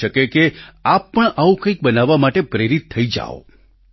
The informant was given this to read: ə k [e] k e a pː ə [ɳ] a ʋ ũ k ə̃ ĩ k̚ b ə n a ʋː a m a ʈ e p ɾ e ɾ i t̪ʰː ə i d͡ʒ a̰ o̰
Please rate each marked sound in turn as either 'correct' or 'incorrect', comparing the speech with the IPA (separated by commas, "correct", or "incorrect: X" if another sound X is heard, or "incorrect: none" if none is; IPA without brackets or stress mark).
correct, correct